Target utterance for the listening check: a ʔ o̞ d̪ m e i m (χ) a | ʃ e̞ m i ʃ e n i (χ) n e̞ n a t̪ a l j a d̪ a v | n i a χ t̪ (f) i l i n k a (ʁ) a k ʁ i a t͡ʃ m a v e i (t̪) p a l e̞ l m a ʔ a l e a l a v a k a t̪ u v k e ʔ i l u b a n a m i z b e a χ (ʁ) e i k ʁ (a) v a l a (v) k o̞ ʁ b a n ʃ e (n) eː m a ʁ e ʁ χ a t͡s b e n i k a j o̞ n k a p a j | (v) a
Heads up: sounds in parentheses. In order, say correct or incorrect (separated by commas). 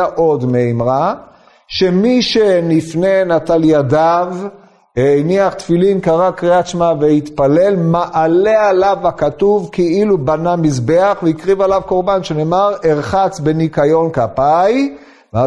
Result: incorrect, incorrect, correct, correct, correct, incorrect, incorrect, correct, correct, correct